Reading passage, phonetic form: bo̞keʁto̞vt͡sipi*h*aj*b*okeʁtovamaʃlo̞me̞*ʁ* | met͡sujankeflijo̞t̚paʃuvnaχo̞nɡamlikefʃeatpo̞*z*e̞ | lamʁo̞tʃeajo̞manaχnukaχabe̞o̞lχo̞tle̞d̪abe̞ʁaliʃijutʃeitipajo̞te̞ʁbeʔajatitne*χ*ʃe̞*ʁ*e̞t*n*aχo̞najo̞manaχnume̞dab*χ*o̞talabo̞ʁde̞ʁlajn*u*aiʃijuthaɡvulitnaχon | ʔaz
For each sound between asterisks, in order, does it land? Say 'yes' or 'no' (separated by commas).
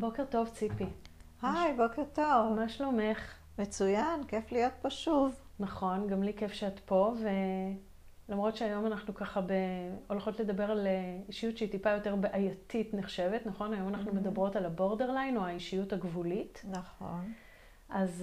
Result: yes, yes, no, no, yes, no, yes, no, no